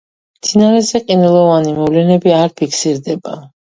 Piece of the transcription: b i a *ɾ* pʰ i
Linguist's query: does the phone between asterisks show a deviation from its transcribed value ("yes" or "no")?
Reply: no